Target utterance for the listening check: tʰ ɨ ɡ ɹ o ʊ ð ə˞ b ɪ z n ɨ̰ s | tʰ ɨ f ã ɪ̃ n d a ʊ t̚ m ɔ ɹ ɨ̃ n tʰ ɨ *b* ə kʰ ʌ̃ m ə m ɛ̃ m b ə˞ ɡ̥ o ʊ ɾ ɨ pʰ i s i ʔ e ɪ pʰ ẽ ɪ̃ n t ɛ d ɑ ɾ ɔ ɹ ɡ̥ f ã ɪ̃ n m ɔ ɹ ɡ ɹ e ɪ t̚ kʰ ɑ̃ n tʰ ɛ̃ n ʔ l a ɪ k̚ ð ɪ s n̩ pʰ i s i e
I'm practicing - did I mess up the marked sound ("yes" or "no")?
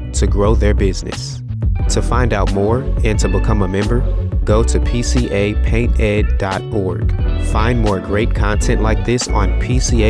no